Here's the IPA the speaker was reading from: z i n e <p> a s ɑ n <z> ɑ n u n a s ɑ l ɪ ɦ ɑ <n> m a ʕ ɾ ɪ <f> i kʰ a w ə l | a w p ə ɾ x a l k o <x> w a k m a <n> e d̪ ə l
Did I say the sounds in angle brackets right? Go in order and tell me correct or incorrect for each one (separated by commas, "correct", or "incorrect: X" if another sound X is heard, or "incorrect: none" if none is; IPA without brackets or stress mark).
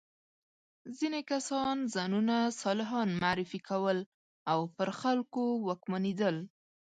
incorrect: k, correct, correct, correct, incorrect: none, correct